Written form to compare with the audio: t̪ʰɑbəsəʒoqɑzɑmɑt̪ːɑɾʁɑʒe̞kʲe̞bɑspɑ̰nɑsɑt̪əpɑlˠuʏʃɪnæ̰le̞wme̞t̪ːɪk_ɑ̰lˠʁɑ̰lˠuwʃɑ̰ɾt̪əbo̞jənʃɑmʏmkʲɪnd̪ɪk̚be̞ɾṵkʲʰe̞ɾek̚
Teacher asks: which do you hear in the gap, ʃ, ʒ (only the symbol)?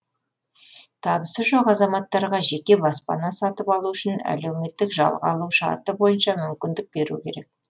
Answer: ʒ